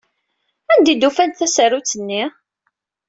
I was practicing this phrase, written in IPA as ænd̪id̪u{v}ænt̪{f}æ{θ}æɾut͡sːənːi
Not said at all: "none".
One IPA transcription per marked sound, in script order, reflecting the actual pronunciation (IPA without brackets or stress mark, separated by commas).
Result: f, θ, s